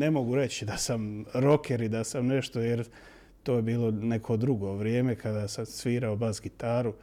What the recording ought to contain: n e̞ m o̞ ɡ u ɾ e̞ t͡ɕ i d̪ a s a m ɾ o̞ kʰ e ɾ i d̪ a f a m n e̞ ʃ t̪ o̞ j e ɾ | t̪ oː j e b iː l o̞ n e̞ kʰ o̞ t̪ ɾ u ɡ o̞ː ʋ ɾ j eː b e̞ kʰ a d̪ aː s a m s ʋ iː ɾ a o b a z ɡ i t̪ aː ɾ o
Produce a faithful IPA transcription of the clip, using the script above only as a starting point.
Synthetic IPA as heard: n e̞ m o̞ ɡ u ɾ e̞ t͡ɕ i d̪ a s a m ɾ o̞ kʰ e ɾ i d̪ a s a m n e̞ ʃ t̪ o̞ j e ɾ | t̪ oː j e b iː l o̞ n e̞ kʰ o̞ d̪ ɾ u ɡ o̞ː ʋ ɾ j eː m e̞ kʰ a d̪ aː s a m s ʋ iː ɾ a o b a z ɡ i t̪ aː ɾ u